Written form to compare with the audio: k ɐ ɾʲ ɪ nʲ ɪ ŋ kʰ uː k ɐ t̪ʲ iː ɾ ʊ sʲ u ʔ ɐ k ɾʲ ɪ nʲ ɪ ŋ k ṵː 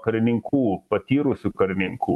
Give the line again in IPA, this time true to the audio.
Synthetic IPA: k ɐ ɾʲ ɪ nʲ ɪ ŋ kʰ uː p ɐ t̪ʲ iː ɾ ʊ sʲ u k ɐ ɾʲ ɪ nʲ ɪ ŋ k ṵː